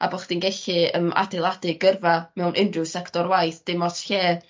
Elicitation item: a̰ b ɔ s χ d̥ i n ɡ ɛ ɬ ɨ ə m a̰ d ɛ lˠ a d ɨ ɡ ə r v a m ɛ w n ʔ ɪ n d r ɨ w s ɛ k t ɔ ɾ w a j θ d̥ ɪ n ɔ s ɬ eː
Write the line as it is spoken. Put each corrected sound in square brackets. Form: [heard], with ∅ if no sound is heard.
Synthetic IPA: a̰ b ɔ [∅] χ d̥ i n ɡ ɛ ɬ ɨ ə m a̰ d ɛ lˠ a d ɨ ɡ ə r v a m ɛ w n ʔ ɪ n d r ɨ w s ɛ k t ɔ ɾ w a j θ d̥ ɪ [m] ɔ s ɬ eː